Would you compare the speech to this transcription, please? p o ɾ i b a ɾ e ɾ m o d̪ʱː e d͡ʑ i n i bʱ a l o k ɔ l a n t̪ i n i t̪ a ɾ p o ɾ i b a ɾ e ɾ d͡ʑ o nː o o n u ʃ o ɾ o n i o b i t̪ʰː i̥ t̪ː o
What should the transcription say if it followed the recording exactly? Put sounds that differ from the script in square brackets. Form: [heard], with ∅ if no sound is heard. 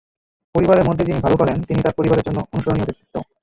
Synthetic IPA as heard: p o ɾ i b a ɾ e ɾ m o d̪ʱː e d͡ʑ i n i bʱ a l o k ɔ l [e] n t̪ i n i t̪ a ɾ p o ɾ i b a ɾ e ɾ d͡ʑ o nː o o n u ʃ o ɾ o n i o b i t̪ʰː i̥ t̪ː o